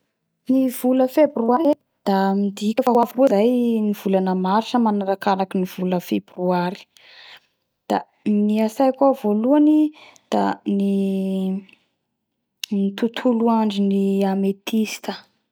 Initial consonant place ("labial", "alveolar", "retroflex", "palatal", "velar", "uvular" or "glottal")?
alveolar